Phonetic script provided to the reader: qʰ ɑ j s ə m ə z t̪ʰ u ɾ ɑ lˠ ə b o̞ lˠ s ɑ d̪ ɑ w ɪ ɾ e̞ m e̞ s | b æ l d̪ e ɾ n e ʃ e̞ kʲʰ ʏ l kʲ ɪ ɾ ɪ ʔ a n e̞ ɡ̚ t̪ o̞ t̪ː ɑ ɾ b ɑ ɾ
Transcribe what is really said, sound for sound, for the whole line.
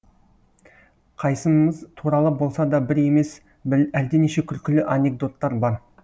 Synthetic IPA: qʰ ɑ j s ə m ə z t̪ʰ u ɾ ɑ lˠ ə b o̞ lˠ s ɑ d̪ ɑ b ɪ ɾ e̞ m e̞ s | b æ l d̪ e n e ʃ e̞ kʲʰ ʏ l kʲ ɪ l ɪ ʔ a n e̞ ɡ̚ d̪ o̞ t̪ː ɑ ɾ b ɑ ɾ

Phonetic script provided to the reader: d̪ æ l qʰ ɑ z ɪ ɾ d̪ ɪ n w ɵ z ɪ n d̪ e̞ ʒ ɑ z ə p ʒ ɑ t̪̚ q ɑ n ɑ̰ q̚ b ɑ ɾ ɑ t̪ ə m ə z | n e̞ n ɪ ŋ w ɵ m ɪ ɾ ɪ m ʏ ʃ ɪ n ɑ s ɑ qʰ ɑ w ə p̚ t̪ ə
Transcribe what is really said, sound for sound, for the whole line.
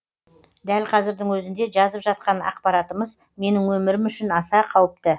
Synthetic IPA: d̪ æ l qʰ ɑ z ɪ ɾ d̪ ɪ ŋ w ɵ z ɪ n d̪ e̞ ʒ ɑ z ə p ʒ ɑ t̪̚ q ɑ n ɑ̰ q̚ p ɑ ɾ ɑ t̪ ə m ə z | m e̞ n ɪ ŋ w ɵ m ɪ ɾ ɪ m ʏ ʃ ɪ n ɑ s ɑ qʰ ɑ w ə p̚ t̪ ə

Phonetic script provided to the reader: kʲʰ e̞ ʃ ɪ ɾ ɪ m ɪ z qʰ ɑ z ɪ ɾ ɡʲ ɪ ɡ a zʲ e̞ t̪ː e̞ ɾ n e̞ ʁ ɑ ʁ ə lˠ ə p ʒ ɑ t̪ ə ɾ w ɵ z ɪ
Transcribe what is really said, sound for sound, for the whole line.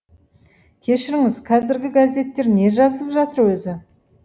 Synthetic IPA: kʲʰ e̞ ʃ ɪ ɾ ɪ ŋ ɪ z qʰ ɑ z ɪ ɾ ɡʲ ɪ ɡ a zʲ e̞ t̪ː e̞ ɾ n e̞ ʒ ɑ z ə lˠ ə p ʒ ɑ t̪ ə ɾ w ɵ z ɪ

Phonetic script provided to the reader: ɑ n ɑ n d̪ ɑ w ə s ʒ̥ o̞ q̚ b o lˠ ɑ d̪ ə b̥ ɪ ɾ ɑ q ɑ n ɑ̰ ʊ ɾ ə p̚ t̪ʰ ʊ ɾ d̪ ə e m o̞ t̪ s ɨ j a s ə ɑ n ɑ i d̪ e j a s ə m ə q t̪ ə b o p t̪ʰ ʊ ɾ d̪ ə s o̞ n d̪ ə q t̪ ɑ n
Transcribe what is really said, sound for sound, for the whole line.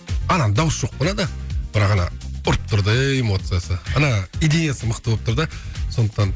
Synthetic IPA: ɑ n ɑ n d̪ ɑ w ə s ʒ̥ o̞ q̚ b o lˠ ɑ d̪ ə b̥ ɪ ɾ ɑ q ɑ n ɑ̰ ʊ ɾ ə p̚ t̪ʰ ʊ ɾ d̪ ə e m o̞ t̪ s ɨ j a s ə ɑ n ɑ i d̪ e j a s ə m ə q t̪ ə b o p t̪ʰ ʊ ɾ d̪ ə s o̞ n d̪ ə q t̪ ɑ n

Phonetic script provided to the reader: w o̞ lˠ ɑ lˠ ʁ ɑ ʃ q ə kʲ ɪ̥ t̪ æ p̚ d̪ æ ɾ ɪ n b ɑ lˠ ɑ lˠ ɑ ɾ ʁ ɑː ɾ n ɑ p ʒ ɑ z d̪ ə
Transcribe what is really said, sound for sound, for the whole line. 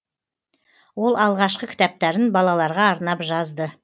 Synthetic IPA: w o̞ lˠ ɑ lˠ ʁ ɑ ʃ q ə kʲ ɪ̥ t̪ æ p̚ t̪ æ ɾ ɪ n b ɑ lˠ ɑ lˠ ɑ ɾ ʁ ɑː ɾ n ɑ p ʒ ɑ z d̪ ə

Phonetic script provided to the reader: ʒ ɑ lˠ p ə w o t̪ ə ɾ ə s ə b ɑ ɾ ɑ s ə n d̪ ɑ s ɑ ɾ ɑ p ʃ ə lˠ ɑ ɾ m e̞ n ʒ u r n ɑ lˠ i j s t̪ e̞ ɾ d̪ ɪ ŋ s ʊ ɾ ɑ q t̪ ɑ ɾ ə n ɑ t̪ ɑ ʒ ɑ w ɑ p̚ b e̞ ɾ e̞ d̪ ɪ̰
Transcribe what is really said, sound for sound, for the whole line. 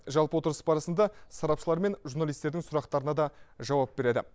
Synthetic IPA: ʒ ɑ lˠ p ə w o t̪ ə ɾ ə s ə b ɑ ɾ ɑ s ə n d̪ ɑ s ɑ ɾ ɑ p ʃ ə lˠ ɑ ɾ m e̞ n ʒ u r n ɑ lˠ i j s t̪ e̞ ɾ d̪ ɪ ŋ s ʊ ɾ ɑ q t̪ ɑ ɾ ə n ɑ d̪ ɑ ʒ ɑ w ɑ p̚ b e̞ ɾ e̞ d̪ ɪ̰

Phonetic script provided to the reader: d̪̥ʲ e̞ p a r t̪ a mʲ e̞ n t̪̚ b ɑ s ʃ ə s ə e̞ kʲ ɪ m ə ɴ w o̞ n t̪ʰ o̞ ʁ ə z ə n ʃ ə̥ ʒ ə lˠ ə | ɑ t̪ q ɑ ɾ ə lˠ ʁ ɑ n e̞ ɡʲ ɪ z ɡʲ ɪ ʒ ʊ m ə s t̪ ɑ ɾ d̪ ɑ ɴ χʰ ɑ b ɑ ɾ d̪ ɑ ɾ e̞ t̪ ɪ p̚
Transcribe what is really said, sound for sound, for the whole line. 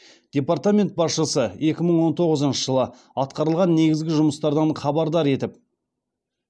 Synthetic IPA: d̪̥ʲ e̞ p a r t̪ a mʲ e̞ n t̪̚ b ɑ s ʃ ə s ə e̞ kʲ ɪ m ə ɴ w o̞ n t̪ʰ o̞ ʁ ə z ə n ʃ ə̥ ʒ ə lˠ ə | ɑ t̪ q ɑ ɾ ə lˠ ʁ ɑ nː e̞ ɡʲ ɪ z ɡʲ ɪ ʒ ʊ m ə s t̪ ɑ ɾ d̪ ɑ ɴ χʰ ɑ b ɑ ɾ d̪ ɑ ɾ e̞ t̪ ɪ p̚

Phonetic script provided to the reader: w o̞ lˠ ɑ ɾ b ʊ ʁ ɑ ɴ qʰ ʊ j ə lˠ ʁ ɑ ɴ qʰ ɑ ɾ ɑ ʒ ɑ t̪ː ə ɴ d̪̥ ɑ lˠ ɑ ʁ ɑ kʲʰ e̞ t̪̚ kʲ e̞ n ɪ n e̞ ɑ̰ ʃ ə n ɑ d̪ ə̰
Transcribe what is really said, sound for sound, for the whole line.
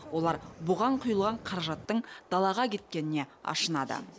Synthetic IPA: w o̞ lˠ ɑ ɾ b ʊ ʁ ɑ ɴ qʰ ʊ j ə lˠ ʁ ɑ ɴ qʰ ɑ ɾ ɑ ʒ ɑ t̪ː ə ɴ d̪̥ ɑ lˠ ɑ ʁ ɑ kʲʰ e̞ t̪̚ kʲ e̞ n ɪ n e̞ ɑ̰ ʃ ə n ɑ d̪ ə̰

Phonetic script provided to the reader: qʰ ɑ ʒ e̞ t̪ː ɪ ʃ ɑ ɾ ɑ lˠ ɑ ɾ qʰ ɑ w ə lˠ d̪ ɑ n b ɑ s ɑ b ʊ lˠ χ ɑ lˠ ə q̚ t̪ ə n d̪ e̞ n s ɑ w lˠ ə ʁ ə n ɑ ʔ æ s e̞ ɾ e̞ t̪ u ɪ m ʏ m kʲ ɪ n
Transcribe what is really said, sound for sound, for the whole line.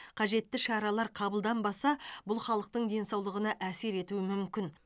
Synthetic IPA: qʰ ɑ ʒ e̞ t̪ː ɪ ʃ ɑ ɾ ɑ lˠ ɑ ɾ qʰ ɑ b ə lˠ d̪ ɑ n b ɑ s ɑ b ʊ lˠ χ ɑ lˠ ə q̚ t̪ ə ɴ d̪ e̞ n s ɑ w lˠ ə ʁ ə n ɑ ʔ æ s e̞ ɾ e̞ t̪ u ɪ m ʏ m kʲ ɪ n

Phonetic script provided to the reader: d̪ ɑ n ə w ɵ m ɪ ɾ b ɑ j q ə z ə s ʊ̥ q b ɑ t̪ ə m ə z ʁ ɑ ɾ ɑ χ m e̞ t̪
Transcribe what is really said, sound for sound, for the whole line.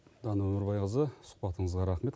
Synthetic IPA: d̪ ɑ n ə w ɵ m ɪ ɾ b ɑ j q ə z ə s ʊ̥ q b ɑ t̪ ə ɴ ə z ʁ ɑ ɾ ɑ χ m e̞ t̪

